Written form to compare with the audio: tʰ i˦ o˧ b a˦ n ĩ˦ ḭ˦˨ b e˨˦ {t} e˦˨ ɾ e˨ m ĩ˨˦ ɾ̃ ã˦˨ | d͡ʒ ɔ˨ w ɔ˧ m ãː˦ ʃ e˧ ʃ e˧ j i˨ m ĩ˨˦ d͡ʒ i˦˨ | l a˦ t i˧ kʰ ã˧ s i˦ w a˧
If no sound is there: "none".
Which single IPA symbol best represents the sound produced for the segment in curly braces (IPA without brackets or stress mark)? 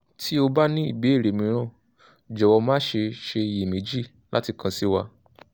none